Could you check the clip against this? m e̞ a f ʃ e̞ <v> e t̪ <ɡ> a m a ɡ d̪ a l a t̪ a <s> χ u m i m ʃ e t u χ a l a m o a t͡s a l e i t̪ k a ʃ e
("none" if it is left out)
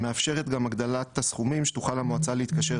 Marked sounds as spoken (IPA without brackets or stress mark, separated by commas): ʁ, ɡ, s